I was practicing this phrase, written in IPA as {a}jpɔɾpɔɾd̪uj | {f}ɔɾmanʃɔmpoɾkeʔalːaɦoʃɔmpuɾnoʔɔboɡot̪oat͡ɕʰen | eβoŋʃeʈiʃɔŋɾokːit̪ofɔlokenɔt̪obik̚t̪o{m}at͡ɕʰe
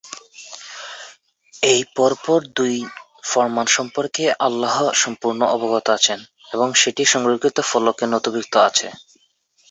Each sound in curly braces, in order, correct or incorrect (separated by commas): incorrect, correct, incorrect